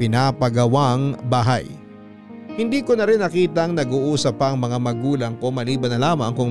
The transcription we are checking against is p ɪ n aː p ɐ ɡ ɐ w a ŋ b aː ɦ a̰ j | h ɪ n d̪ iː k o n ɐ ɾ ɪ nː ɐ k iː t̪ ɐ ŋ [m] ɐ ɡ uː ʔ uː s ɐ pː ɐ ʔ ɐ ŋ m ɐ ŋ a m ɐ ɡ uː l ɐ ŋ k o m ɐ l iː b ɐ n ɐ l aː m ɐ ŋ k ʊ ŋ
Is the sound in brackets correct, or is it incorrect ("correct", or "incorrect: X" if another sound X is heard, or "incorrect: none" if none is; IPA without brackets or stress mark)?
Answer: incorrect: n